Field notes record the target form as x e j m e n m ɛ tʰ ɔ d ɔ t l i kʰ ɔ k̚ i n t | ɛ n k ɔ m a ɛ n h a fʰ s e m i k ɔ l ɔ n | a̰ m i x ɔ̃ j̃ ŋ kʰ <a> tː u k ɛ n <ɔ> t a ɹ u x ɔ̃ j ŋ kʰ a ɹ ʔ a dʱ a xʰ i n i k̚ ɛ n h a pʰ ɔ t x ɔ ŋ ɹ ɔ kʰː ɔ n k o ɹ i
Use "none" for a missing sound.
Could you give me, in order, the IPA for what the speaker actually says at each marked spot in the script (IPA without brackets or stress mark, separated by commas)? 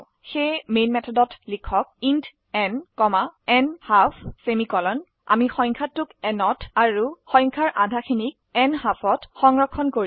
a, ɔ